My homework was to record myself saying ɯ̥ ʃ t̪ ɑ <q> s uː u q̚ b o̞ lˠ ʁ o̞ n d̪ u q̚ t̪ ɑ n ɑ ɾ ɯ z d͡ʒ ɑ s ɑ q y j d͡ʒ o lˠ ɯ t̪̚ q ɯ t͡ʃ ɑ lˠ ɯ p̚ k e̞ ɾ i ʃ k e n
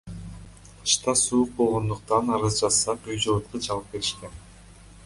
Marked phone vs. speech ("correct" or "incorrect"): incorrect